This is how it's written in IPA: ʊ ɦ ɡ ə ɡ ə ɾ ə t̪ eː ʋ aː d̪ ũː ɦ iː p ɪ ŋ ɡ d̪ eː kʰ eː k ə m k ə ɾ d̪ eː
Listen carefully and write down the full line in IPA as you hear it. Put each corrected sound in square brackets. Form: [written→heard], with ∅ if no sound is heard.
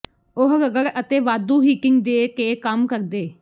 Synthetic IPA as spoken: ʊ ɦ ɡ ə ɡ ə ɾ ə t̪ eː ʋ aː d̪ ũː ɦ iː [p→k] ɪ ŋ ɡ d̪ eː [kʰ→k] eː k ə m k ə ɾ d̪ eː